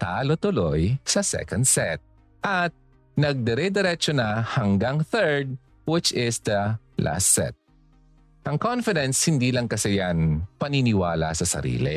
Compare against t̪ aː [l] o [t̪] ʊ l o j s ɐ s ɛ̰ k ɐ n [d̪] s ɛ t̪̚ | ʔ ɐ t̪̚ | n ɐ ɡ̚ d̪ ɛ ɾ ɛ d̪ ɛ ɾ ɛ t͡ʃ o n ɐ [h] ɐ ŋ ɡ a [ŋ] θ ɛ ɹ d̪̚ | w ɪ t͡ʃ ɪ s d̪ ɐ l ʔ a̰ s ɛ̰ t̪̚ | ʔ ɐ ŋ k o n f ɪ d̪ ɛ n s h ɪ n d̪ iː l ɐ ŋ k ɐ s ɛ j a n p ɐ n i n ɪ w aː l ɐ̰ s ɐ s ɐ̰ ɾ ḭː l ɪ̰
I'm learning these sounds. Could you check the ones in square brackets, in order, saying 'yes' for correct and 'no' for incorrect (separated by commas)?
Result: yes, yes, yes, yes, yes